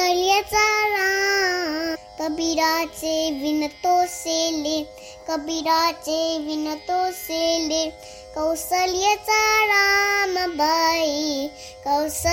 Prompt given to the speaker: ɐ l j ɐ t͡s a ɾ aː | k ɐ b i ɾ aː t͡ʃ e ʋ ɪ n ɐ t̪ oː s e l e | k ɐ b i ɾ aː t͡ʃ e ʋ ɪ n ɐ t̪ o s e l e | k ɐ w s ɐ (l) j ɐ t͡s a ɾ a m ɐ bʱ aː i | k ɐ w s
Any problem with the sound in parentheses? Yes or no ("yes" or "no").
no